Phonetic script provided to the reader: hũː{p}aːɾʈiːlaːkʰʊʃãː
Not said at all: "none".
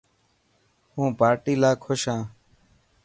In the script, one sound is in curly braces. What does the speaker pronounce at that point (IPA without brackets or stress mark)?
p